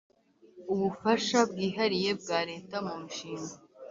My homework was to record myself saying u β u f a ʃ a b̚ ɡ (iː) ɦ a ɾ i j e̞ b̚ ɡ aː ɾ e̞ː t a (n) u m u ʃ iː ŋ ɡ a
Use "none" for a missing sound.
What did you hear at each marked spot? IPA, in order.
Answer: iː, m

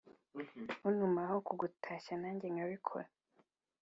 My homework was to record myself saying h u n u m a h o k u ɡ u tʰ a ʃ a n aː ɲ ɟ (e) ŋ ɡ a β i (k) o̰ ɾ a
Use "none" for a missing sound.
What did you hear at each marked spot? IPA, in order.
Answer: e, kʰ

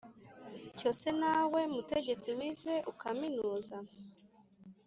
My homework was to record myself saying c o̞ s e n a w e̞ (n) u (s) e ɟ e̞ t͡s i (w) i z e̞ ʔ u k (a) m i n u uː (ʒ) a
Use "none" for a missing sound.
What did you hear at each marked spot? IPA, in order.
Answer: m, t, w, a, z

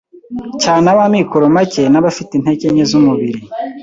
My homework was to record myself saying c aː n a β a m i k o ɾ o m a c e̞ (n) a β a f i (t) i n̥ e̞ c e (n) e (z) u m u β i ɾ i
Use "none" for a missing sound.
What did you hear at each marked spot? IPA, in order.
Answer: n, t, ɲ, z

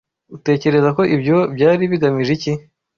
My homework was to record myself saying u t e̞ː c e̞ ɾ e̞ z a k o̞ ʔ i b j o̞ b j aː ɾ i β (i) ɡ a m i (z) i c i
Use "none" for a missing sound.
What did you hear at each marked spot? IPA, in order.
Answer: i, ʒ

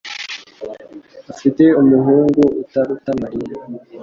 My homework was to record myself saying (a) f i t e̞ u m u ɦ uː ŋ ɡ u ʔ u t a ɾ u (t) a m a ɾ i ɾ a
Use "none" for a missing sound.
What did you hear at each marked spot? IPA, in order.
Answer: a, t

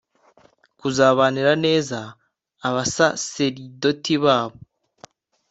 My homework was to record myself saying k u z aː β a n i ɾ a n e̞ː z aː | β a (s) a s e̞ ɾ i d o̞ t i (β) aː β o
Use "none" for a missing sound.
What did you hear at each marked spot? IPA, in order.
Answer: s, β

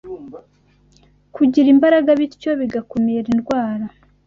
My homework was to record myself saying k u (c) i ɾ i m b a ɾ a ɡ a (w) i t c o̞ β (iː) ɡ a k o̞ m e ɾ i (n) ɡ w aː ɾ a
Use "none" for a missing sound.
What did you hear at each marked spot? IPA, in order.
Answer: ɟ, β, i, n

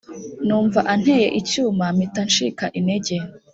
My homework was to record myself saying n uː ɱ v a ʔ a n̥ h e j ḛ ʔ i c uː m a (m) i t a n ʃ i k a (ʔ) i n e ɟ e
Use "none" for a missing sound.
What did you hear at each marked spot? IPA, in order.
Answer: m, ʔ

